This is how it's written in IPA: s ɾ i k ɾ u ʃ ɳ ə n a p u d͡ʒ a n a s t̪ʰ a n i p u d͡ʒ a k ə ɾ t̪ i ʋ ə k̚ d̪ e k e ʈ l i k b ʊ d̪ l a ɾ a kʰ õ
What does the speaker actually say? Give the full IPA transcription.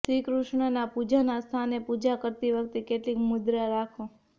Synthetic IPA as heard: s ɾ i k ɾ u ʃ ɳ ə n a p u d͡ʒ a n a s t̪ʰ a n e p u d͡ʒ a k ə ɾ t̪ i ʋ ə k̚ t̪ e k e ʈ l i k m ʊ d̪ ɾ a ɾ a kʰ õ